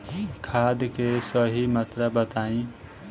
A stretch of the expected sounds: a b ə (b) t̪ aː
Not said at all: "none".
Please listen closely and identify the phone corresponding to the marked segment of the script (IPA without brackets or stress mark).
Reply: none